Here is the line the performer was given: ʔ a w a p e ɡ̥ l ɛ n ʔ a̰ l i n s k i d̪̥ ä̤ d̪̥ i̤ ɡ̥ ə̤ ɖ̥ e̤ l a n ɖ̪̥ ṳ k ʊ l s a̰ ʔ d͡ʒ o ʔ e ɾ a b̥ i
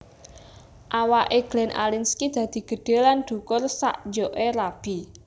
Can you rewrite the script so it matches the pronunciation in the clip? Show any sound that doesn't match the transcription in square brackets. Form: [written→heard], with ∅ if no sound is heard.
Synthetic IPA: ʔ a w a [p→ʔ] e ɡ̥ l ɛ n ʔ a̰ l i n s k i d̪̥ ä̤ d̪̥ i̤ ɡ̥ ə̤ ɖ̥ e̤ l a n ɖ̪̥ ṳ k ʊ [l→r] s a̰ ʔ d͡ʒ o ʔ e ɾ a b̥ i